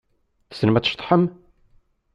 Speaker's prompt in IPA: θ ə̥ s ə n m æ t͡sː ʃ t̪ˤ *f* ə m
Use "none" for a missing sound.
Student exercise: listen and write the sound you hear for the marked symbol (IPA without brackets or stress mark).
ħ